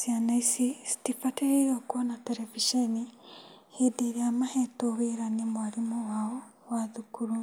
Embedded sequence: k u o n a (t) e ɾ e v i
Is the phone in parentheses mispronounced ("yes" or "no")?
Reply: no